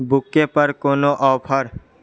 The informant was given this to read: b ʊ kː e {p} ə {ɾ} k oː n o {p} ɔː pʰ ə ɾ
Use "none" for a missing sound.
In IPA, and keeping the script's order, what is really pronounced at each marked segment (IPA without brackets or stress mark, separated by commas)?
p, ɾ, ʔ